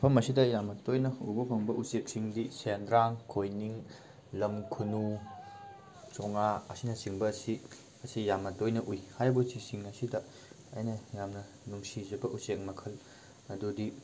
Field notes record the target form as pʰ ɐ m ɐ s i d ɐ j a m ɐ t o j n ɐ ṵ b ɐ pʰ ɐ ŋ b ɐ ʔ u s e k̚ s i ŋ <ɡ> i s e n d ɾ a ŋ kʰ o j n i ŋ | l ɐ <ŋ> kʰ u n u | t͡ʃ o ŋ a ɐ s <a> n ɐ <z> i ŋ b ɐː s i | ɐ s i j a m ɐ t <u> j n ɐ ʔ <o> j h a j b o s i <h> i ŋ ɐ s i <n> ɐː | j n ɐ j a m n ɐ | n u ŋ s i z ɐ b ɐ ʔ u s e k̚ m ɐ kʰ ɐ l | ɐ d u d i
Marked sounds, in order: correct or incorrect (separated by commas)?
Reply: incorrect, incorrect, incorrect, incorrect, incorrect, incorrect, incorrect, incorrect